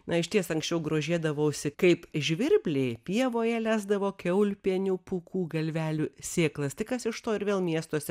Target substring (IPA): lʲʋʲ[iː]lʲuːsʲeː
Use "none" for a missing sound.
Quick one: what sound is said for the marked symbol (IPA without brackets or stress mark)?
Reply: æː